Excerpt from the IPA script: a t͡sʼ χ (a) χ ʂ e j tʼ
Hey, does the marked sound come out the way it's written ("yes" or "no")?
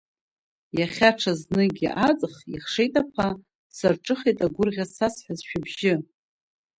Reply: no